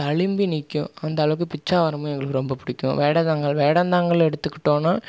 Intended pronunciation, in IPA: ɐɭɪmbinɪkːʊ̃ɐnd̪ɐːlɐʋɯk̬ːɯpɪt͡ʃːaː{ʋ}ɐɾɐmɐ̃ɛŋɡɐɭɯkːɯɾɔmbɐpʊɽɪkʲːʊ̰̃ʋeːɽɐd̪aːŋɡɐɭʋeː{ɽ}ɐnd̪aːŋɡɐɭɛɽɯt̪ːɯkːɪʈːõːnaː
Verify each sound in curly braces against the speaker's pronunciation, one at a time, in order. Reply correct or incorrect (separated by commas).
correct, correct